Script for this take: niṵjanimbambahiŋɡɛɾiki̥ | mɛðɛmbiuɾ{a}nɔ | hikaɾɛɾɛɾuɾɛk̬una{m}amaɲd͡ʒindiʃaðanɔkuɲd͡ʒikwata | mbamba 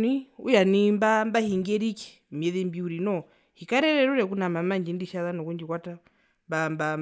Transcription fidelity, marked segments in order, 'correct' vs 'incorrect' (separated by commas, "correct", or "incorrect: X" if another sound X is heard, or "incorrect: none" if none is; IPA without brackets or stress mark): incorrect: i, correct